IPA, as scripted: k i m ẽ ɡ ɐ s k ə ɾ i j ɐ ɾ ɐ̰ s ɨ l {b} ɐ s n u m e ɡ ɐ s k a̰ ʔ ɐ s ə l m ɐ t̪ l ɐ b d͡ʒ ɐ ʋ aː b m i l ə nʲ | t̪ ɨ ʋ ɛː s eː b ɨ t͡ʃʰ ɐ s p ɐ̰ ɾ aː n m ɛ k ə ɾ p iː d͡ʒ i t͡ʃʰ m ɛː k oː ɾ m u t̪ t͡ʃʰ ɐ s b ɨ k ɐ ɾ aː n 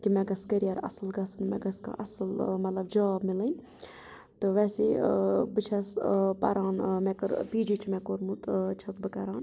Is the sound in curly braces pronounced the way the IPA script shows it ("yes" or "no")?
no